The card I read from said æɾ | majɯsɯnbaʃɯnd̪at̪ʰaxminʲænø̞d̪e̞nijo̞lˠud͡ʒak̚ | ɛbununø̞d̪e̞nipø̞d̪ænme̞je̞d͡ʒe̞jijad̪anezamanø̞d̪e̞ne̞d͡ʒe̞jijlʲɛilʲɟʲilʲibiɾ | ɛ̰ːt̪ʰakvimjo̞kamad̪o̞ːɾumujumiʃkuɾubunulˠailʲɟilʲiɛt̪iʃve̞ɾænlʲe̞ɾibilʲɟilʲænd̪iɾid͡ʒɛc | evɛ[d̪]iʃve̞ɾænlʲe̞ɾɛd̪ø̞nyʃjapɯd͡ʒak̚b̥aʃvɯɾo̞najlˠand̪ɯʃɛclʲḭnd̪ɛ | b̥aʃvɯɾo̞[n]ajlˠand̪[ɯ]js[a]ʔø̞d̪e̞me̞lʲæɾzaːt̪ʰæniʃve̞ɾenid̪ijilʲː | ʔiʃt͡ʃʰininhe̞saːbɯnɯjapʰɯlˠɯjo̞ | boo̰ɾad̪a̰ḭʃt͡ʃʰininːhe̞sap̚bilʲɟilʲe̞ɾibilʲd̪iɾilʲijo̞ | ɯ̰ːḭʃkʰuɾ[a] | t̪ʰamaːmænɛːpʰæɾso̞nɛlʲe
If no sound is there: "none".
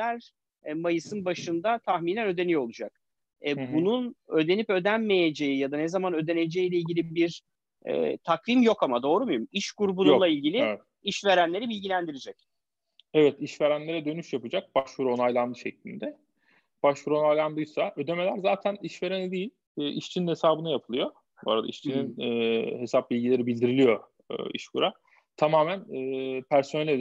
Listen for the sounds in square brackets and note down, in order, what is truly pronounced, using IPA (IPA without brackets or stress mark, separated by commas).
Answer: t̪, n, ɯ, a, a